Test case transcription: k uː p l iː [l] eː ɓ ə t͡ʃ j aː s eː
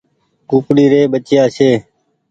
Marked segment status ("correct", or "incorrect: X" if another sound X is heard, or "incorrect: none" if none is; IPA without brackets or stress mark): incorrect: ɾ